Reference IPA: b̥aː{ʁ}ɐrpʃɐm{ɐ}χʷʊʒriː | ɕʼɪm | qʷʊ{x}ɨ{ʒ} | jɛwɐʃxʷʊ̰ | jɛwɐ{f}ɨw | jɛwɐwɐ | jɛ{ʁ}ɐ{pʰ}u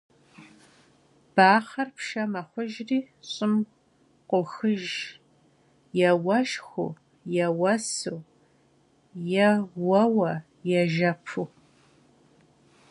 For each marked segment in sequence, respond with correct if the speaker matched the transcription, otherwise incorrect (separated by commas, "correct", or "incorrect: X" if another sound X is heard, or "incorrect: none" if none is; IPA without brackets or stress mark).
incorrect: χ, correct, correct, correct, incorrect: s, incorrect: ʒ, correct